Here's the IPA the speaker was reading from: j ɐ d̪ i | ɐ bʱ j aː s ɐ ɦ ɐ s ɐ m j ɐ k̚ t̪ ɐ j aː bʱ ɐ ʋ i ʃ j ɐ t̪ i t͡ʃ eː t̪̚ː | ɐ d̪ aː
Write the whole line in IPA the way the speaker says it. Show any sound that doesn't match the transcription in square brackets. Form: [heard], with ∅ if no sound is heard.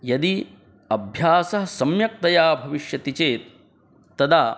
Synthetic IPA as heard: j ɐ d̪ i | ɐ bʱ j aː s ɐ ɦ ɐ s ɐ m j ɐ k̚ t̪ ɐ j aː bʱ ɐ ʋ i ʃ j ɐ t̪ i t͡ʃ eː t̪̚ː | ɐ d̪ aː